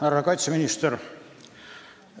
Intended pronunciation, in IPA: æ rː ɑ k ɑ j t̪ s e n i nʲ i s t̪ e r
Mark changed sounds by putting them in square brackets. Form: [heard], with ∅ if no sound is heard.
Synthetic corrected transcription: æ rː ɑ k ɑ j t̪ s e [m] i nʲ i s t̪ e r